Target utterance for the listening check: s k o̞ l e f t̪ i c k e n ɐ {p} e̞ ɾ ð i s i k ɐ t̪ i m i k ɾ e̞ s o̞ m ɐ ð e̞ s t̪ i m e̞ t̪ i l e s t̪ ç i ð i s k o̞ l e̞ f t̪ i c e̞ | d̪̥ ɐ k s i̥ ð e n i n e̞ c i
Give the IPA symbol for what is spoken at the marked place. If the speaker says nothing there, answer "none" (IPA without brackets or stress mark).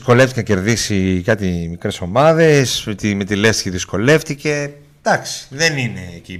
c